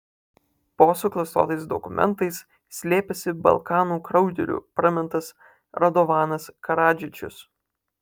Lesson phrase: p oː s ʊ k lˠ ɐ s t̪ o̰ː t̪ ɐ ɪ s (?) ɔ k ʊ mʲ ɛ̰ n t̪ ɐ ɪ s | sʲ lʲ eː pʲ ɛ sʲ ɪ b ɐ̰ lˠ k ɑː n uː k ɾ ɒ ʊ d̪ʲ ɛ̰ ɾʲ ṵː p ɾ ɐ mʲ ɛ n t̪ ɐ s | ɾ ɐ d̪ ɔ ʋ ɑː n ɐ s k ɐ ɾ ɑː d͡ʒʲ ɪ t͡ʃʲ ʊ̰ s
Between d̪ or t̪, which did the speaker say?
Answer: d̪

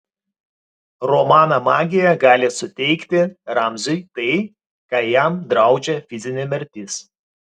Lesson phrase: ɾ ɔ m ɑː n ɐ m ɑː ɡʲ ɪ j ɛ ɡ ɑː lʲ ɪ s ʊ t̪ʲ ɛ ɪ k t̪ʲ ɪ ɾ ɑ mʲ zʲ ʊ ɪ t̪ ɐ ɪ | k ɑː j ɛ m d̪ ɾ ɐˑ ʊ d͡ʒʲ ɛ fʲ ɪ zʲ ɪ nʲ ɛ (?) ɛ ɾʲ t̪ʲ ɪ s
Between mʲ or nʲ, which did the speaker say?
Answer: mʲ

